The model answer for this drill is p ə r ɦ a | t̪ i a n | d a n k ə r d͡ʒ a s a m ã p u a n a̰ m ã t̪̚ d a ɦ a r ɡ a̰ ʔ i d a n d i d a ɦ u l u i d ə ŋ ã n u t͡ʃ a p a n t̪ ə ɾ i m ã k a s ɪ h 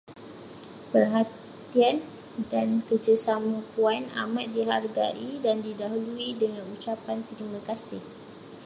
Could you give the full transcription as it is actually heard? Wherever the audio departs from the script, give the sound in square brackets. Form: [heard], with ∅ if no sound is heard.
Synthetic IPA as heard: p ə r ɦ a | t̪ i a n | d a n k ə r d͡ʒ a s a m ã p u a n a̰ m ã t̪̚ d [i] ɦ a r ɡ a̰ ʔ i d a n d i d a ɦ u l u i d ə ŋ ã n u t͡ʃ a p a n t̪ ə ɾ i m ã k a s ɪ h

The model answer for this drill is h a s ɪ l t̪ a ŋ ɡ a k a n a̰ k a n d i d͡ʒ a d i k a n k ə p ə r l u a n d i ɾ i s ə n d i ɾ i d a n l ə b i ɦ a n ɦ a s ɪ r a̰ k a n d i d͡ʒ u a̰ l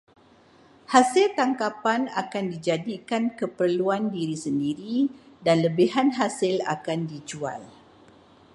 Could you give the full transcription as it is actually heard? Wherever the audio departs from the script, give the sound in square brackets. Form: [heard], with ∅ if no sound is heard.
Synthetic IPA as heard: h a s ɪ l t̪ a ŋ [k] a [p] a n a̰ k a n d i d͡ʒ a d i k a n k ə p ə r l u a n d i ɾ i s ə n d i ɾ i d a n l ə b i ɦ a n ɦ a s ɪ [l] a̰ k a n d i d͡ʒ u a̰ l

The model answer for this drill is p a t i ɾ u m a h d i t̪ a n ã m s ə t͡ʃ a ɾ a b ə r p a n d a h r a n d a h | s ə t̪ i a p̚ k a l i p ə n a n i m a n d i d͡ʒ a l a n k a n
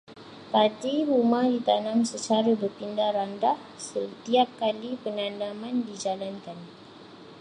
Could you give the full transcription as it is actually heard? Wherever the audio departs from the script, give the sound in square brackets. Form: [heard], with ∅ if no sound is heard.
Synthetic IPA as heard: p a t i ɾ u m a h d i t̪ a n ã m s ə t͡ʃ a ɾ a b ə r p [i] n d a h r a n d a h | s ə t̪ i a p̚ k a l i p ə n a n [a] m a n d i d͡ʒ a l a n k a n

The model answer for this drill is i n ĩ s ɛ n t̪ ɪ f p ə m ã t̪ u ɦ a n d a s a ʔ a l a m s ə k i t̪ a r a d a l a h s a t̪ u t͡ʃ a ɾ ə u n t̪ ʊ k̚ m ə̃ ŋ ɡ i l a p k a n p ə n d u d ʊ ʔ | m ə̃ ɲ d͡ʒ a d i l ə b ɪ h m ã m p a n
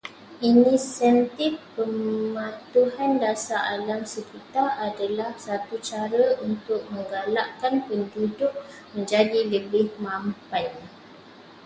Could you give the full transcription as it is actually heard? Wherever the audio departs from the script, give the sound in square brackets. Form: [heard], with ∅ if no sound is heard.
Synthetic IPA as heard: i n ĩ s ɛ n t̪ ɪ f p ə m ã t̪ u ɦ a n d a s a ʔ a l a m s ə k i t̪ a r a d a l a h s a t̪ u t͡ʃ a ɾ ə u n t̪ ʊ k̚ m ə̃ ŋ ɡ [a] l a [ʔ] k a n p ə n d u d ʊ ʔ | m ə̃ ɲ d͡ʒ a d i l ə b ɪ h m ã m p a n

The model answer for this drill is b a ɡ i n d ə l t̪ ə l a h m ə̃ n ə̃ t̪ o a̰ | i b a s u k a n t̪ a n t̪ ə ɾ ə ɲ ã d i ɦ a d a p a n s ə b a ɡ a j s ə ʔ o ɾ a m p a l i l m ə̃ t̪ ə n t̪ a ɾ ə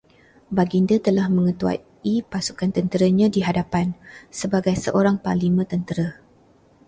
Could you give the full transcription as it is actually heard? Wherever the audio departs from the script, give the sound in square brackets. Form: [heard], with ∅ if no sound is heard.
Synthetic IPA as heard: b a ɡ i n d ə [∅] t̪ ə l a h m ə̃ [ŋ] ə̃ t̪ [u] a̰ | i [p] a s u k a n t̪ [ə] n t̪ ə ɾ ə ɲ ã d i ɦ a d a p a n s ə b a ɡ a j s ə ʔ o ɾ a [ŋ] p a l i [∅] m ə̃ t̪ ə n t̪ [ə] ɾ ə

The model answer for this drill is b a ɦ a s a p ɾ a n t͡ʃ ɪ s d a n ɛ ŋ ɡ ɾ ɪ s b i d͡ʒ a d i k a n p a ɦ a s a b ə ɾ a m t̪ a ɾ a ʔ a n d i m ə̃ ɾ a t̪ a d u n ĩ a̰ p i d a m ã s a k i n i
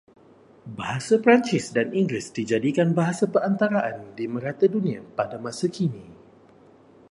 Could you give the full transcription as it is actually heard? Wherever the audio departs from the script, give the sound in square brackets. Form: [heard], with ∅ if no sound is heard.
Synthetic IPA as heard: b a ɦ a s a p ɾ a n t͡ʃ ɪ s d a n [i] ŋ ɡ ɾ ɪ s [d] i d͡ʒ a d i k a n [b] a ɦ a s a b ə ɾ a [n] t̪ a ɾ a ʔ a n d i m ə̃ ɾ a t̪ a d u n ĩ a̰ p [a] d a m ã s a k i n i

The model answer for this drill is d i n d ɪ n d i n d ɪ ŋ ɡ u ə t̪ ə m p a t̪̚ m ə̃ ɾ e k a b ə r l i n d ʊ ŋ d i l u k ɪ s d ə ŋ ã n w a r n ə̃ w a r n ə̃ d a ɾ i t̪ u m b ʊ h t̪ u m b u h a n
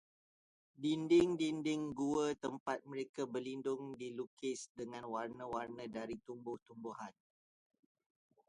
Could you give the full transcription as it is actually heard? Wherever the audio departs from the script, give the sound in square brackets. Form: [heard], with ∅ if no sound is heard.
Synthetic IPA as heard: d i n d ɪ [ŋ] d i n d ɪ ŋ ɡ u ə t̪ ə m p a t̪̚ m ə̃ ɾ e k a b ə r l i n d ʊ ŋ d i l u k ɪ s d ə ŋ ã n w a r n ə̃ w a r n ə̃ d a ɾ i t̪ u m b ʊ h t̪ u m b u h a n

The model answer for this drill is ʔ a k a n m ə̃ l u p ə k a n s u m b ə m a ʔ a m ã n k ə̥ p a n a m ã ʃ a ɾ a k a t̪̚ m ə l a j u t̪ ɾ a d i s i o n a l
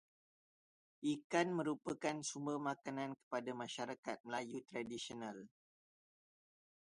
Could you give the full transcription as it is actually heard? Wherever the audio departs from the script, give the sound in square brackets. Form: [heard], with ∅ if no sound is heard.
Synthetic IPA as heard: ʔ [i] k a n m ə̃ [ɾ] u p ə k a n s u m b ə m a [k] a [n] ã n k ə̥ p a [d] a m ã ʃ a ɾ a k a t̪̚ m ə l a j u t̪ ɾ a d i s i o n a l

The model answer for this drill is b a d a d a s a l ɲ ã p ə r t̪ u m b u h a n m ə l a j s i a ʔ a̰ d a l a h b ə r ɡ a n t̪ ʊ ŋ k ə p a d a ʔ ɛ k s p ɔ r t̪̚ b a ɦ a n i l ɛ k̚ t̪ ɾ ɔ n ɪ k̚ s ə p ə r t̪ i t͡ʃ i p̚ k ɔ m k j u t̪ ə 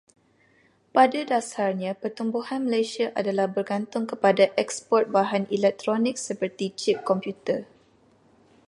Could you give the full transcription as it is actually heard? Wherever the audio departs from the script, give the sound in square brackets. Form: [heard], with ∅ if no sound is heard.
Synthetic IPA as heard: [p] a d a d a s a [r] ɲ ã p ə r t̪ u m b u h a n m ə l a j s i a ʔ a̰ d a l a h b ə r ɡ a n t̪ ʊ ŋ k ə p a d a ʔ ɛ k s p ɔ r t̪̚ b a ɦ a n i l ɛ k̚ t̪ ɾ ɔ n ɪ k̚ s ə p ə r t̪ i t͡ʃ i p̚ k ɔ m [p] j u t̪ ə

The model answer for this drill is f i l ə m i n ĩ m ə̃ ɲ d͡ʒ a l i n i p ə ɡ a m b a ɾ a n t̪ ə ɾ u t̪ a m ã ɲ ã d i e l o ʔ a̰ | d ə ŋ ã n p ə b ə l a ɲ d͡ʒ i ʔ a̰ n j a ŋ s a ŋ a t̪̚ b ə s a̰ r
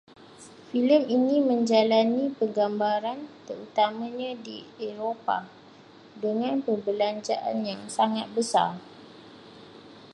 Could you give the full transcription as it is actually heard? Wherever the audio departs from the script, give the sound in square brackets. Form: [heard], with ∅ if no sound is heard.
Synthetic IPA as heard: f i l ə m i n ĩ m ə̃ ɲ d͡ʒ a l [a] n i p ə ɡ a m b a ɾ a n t̪ ə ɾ u t̪ a m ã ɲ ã d i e [ɾ] o [p] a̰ | d ə ŋ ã n p ə b ə l a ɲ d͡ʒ [a] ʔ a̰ n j a ŋ s a ŋ a t̪̚ b ə s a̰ r

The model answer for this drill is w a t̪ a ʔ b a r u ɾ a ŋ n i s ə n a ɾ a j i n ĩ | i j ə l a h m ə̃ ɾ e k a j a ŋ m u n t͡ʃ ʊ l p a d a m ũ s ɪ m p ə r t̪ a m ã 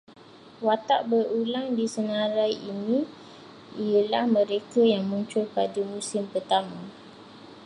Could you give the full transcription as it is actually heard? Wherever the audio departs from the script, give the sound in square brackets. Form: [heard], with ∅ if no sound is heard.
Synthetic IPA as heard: w a t̪ a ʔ b [ə] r u [l] a ŋ [d] i s ə n a ɾ a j i n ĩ | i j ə l a h m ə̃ ɾ e k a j a ŋ m u [ɲ] t͡ʃ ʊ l p a d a m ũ s ɪ m p ə r t̪ a m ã

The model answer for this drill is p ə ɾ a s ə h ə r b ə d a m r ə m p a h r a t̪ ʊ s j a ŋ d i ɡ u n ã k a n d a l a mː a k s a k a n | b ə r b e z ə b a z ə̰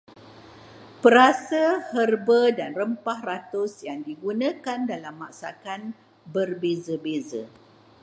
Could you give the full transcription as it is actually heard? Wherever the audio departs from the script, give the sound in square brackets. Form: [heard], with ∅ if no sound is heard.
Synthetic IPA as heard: p ə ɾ a s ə h ə r b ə d a [n] r ə m p a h r a t̪ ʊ s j a ŋ d i ɡ u n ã k a n d a l a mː a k s a k a n | b ə r b e z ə b [e] z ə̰

